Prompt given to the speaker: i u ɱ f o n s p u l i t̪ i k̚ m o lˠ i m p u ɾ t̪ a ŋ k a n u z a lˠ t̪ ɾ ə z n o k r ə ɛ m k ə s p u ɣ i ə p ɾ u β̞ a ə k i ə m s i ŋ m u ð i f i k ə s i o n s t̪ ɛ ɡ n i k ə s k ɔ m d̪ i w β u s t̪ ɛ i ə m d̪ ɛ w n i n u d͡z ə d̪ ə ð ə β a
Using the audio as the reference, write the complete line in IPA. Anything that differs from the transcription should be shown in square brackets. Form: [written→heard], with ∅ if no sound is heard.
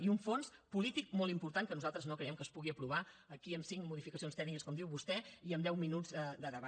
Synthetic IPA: i u ɱ f o n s p u l i t̪ i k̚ m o lˠ i m p u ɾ t̪ a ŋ k [a→ə] n u z a lˠ t̪ ɾ ə z n o k [r→ɾ] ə ɛ m k ə s p u ɣ i ə p ɾ u β̞ a ə k i ə m s i ŋ m u ð i f i k ə s i o n s t̪ ɛ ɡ n i k ə s k ɔ m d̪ i w β u s t̪ ɛ i ə m d̪ ɛ w [n→m] i n u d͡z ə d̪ ə ð ə β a